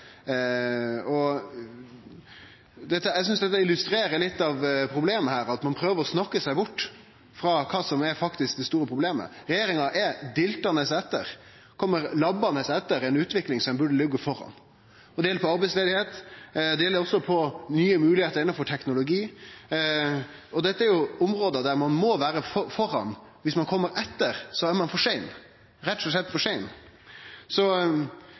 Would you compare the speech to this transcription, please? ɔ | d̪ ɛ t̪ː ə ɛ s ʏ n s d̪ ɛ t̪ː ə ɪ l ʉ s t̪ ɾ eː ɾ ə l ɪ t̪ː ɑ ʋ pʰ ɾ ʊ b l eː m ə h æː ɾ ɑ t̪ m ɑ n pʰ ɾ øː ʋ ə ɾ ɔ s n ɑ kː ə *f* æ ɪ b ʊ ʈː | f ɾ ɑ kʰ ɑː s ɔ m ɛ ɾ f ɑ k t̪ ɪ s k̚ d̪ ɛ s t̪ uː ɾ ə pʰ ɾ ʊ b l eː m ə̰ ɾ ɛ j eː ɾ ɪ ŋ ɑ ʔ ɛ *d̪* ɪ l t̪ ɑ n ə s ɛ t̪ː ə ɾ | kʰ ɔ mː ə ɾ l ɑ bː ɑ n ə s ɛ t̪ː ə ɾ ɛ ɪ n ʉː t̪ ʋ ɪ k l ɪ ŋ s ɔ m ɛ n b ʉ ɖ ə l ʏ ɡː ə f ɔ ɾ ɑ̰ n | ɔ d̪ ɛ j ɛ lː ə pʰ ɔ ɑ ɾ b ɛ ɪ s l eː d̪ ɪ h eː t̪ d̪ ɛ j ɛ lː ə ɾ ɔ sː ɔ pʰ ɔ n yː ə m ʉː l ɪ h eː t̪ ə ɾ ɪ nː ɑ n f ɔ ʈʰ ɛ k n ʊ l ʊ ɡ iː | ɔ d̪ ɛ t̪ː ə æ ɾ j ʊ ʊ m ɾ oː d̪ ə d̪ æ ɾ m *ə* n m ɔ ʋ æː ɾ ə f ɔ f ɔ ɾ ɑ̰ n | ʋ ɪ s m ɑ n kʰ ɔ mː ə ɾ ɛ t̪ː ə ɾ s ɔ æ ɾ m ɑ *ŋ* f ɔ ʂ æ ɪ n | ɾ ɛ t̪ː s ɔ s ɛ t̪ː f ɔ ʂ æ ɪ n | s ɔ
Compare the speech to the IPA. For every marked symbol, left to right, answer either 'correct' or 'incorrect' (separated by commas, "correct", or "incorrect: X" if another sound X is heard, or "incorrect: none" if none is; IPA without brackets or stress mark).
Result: incorrect: s, correct, incorrect: ɑ, incorrect: n